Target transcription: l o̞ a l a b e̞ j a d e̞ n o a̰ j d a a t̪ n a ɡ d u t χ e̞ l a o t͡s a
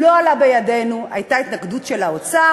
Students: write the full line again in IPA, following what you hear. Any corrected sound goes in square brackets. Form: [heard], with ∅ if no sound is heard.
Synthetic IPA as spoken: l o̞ a l a b e̞ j a d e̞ n [u] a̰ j [t] a [i] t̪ n a ɡ d u t [ʃ] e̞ l a o t͡s a